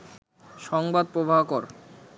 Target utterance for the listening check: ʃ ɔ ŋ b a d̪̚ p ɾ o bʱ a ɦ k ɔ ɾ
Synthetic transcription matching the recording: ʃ ɔ ŋ b a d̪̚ p ɾ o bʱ a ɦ k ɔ ɾ